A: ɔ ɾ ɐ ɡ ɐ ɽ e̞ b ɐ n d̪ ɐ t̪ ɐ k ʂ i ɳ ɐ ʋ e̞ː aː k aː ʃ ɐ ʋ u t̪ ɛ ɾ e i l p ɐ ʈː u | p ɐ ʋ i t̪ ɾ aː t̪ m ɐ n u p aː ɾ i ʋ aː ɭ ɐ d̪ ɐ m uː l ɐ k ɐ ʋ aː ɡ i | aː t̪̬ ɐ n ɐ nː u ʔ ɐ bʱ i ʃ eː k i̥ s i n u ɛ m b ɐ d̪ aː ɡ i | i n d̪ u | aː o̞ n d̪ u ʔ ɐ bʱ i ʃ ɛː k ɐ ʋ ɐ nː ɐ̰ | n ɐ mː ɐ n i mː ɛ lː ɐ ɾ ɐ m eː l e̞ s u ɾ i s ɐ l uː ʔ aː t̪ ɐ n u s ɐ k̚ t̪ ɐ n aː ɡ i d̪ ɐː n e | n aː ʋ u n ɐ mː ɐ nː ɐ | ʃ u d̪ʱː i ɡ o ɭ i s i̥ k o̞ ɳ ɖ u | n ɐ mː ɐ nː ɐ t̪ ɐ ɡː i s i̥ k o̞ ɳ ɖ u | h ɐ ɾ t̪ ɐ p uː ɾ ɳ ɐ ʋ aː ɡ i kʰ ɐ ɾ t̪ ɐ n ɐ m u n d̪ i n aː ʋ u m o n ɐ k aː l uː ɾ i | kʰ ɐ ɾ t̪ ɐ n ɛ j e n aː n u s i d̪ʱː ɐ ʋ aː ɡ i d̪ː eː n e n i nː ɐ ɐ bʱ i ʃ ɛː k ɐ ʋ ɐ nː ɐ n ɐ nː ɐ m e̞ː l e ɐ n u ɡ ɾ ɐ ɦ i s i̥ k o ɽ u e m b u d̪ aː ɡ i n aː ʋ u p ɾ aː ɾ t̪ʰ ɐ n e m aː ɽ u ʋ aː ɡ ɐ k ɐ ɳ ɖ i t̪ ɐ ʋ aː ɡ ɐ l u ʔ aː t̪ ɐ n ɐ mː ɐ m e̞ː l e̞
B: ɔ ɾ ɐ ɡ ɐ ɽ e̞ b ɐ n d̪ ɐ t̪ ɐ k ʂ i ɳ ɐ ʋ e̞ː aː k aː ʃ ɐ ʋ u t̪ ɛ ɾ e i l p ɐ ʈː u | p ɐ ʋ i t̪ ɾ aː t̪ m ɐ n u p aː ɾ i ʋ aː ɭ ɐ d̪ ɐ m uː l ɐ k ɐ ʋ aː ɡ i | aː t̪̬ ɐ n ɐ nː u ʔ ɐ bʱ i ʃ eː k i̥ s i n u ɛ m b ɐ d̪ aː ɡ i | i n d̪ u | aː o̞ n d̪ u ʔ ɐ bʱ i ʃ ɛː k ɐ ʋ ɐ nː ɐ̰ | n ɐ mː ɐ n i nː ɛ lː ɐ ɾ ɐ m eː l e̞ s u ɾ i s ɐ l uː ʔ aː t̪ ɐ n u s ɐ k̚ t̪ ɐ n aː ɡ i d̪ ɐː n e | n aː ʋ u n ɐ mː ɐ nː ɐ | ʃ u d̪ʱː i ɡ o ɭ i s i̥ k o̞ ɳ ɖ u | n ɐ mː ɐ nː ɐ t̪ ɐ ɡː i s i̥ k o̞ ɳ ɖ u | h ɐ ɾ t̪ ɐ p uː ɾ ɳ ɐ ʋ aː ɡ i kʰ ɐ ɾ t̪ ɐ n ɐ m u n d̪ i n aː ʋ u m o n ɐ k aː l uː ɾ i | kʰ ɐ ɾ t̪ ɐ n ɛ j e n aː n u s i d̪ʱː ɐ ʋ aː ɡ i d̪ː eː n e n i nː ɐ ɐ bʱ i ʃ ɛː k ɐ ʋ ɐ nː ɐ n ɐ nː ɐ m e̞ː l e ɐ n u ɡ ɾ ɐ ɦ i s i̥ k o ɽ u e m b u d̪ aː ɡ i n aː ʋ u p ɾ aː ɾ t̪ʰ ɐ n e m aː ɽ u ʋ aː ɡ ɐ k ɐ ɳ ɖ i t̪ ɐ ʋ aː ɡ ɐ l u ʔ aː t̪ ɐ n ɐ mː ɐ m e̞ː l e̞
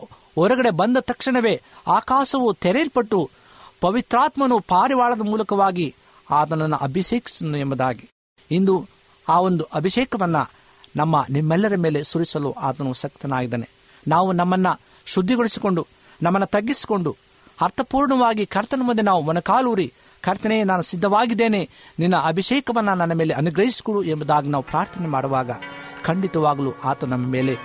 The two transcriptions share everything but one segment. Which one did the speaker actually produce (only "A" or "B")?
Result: A